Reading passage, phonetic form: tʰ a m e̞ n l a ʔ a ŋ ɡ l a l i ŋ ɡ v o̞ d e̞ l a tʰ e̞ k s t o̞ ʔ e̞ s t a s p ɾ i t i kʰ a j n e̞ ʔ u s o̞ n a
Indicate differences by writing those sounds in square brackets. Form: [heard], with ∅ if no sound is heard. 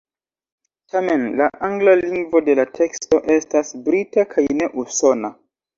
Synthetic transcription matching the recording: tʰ a m e̞ n l a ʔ a ŋ ɡ l a l i ŋ ɡ v o̞ d e̞ l a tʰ e̞ k s t o̞ ʔ e̞ s t a s [b] ɾ i t [a] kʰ a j n e̞ ʔ u s o̞ n a